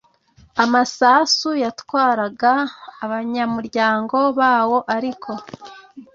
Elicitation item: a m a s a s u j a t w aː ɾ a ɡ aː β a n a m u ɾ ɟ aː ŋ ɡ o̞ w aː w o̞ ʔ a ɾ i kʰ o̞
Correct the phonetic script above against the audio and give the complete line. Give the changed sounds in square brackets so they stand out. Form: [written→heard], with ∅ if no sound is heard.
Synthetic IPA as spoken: a m a s a s u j a t w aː ɾ a ɡ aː β a [n→ɲ] a m u ɾ ɟ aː ŋ ɡ o̞ [w→β] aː w o̞ ʔ a ɾ i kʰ o̞